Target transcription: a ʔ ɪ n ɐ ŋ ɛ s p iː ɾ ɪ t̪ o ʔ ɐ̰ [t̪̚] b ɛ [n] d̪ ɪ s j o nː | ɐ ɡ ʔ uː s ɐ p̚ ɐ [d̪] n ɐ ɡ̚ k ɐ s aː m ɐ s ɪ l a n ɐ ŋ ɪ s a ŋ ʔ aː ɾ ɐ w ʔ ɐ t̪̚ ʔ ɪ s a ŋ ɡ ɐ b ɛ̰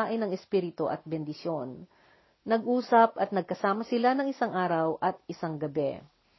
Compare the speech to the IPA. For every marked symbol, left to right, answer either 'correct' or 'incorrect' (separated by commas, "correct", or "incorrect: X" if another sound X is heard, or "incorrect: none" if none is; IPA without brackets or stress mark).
correct, correct, incorrect: t̪